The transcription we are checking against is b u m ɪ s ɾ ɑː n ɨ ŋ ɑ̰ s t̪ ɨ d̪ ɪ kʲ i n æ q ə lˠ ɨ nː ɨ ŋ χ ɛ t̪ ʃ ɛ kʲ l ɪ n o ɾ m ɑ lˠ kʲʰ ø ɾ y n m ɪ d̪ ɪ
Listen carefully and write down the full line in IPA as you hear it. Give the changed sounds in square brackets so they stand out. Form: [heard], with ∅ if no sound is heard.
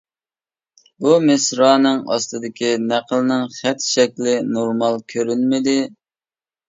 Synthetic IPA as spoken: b u m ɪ s ɾ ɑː n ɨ ŋ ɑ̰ s t̪ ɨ d̪ ɪ kʲ i n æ q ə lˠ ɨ [n] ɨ ŋ χ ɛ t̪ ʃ ɛ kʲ l ɪ n o ɾ m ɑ lˠ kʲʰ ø ɾ y n m ɪ d̪ ɪ